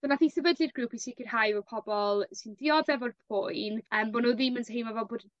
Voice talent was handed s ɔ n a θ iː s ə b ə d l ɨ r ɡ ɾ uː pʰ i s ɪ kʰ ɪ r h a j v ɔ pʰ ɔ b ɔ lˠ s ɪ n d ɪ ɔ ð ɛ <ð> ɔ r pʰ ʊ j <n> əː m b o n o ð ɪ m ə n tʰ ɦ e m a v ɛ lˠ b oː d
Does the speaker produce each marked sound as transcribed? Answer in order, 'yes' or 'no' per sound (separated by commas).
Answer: no, yes